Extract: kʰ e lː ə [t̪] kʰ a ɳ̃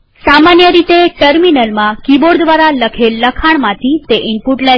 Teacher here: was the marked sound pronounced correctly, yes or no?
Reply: no